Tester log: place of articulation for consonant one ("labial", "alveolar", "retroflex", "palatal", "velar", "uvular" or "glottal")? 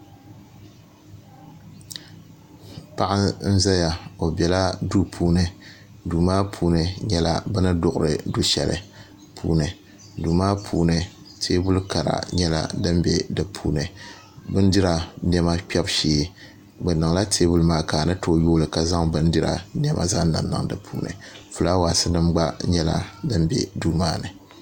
labial